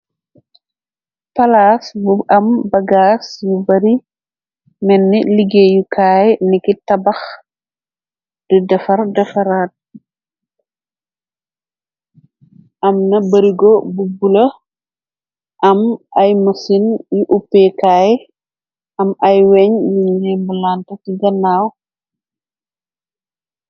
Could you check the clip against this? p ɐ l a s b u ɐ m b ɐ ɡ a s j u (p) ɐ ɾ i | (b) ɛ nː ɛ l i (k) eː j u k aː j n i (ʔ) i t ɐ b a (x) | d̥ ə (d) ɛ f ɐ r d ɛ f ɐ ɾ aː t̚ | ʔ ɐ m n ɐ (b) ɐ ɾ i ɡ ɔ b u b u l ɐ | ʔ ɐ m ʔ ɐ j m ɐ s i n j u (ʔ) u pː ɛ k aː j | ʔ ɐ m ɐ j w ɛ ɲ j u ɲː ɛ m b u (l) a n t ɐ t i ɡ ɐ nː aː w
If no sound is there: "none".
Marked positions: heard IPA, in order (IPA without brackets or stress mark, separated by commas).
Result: b, m, ɡ, k, x, d, b, ʔ, l